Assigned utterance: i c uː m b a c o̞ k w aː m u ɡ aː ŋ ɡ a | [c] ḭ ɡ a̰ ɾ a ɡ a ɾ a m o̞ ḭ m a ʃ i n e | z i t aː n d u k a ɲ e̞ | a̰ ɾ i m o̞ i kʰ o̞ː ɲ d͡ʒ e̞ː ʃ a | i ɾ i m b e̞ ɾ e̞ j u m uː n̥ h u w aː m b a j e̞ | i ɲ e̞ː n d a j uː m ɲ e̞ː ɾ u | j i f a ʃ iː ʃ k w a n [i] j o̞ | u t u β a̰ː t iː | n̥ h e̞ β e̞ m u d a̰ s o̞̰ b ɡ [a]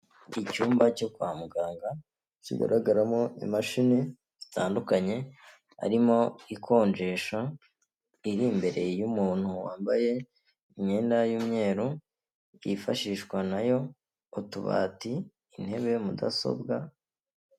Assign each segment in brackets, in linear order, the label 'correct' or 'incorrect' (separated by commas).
correct, incorrect, correct